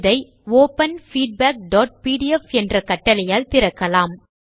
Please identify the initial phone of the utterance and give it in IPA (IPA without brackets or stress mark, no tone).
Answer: ð